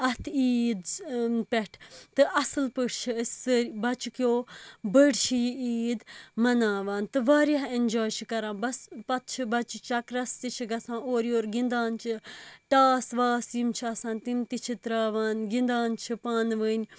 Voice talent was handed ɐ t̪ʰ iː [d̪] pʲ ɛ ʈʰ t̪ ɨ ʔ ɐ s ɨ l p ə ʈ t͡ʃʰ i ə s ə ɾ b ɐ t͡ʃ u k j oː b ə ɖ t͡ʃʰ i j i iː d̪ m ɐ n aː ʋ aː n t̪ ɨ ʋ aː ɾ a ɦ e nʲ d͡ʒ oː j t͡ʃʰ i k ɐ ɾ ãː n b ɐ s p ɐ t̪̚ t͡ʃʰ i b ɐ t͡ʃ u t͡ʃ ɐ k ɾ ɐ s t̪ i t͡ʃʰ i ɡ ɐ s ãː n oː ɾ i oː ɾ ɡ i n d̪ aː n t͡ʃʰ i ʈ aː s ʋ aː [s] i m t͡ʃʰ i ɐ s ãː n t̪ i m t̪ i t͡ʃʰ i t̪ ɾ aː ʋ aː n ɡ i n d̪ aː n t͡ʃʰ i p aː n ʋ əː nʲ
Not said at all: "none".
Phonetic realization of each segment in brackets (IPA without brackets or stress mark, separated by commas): d̪, s